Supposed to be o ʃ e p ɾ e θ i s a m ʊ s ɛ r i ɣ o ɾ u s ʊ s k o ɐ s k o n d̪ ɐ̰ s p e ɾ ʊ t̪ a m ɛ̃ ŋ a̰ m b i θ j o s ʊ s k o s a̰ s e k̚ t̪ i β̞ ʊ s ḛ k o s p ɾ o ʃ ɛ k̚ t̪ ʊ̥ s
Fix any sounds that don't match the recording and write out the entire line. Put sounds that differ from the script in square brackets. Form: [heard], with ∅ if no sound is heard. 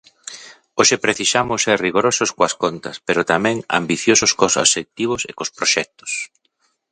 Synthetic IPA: o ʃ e p ɾ e θ i s a m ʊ s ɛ r i ɣ o ɾ [o] s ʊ s k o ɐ s k o n [t̪] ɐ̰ s p e ɾ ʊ t̪ a m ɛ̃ ŋ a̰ m b i θ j o s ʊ s k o s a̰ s e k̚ t̪ i β̞ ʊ s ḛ k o s p ɾ o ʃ ɛ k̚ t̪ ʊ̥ s